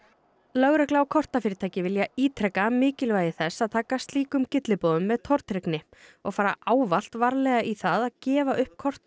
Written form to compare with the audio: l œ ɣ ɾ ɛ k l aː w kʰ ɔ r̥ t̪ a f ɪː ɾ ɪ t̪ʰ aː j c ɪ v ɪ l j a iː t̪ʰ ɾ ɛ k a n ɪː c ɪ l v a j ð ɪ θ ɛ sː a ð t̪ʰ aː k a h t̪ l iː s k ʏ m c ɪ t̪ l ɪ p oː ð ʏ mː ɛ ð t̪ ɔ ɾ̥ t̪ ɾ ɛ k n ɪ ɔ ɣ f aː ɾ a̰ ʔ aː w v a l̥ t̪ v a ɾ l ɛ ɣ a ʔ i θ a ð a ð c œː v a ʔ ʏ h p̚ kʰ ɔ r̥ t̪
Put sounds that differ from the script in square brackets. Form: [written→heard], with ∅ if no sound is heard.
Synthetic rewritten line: l œ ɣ ɾ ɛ k l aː w kʰ ɔ r̥ t̪ a f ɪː ɾ ɪ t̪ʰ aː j c ɪ v ɪ l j a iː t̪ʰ ɾ ɛ k a [n→m] ɪː c ɪ l v a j ð ɪ θ ɛ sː a ð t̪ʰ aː k a [h→s] t̪ l iː [s→∅] k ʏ m c ɪ t̪ l ɪ p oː ð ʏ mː ɛ ð [t̪→t̪ʰ] ɔ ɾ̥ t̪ ɾ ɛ k n ɪ ɔ ɣ f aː ɾ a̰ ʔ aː w v a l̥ t̪ v a ɾ l ɛ ɣ a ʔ i θ a ð a ð c [œː→ɛː] v a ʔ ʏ h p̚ kʰ ɔ r̥ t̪

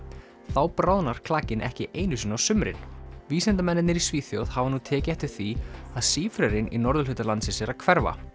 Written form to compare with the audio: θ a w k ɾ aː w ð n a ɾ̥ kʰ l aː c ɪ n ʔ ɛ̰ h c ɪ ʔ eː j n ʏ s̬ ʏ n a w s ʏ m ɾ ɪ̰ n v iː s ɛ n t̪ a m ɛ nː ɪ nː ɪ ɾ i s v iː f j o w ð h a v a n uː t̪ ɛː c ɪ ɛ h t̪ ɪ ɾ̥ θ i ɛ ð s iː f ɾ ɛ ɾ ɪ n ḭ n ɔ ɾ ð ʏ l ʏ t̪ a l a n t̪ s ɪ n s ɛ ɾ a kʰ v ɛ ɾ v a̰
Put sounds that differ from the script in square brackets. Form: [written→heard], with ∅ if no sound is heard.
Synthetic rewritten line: θ a w [k→p] ɾ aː w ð n a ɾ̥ kʰ l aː c ɪ n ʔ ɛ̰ h c ɪ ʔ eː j n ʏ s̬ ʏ n a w s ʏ m ɾ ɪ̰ n v iː s ɛ n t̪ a m ɛ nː ɪ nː ɪ ɾ i s v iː [f→θ] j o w ð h a v a n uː [t̪→t̪ʰ] ɛː c ɪ ɛ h t̪ ɪ ɾ̥ θ i [ɛ→a] ð s iː f ɾ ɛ ɾ ɪ n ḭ n ɔ ɾ ð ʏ l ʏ t̪ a l a n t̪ s ɪ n s ɛ ɾ a kʰ v ɛ ɾ v a̰

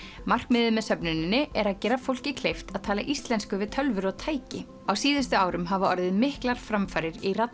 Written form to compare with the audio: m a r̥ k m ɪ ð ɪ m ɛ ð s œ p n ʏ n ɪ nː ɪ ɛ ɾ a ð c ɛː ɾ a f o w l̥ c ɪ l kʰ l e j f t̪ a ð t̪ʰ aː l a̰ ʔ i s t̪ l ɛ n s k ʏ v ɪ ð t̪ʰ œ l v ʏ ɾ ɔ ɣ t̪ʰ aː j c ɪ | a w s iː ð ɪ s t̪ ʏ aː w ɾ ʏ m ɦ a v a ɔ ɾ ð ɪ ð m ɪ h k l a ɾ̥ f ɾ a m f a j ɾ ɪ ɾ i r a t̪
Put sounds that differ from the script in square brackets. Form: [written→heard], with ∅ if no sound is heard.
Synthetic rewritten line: m a r̥ k m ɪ ð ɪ m ɛ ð s œ p n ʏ n ɪ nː ɪ ɛ ɾ a ð c ɛː ɾ a f o w l̥ c ɪ [l→∅] kʰ l e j f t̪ a ð t̪ʰ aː l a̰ ʔ i s t̪ l ɛ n s k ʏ v ɪ ð t̪ʰ œ l v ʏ ɾ ɔ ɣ t̪ʰ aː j c ɪ | a w s iː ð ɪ s t̪ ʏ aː w ɾ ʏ m ɦ a v a ɔ ɾ ð ɪ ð m ɪ h k l a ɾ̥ f ɾ a m f a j ɾ ɪ ɾ i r a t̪

